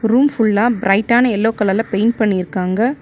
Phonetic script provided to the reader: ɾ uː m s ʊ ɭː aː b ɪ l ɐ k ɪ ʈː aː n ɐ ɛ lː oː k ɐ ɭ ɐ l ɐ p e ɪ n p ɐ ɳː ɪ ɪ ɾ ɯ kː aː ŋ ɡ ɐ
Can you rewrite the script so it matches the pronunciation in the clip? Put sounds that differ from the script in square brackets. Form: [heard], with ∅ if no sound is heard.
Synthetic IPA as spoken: ɾ uː m [f] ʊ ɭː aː b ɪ [ɾ] ɐ [∅] ɪ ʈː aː n ɐ ɛ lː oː k ɐ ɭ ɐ l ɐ p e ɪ n p ɐ ɳː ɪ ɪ ɾ ɯ kː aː ŋ ɡ ɐ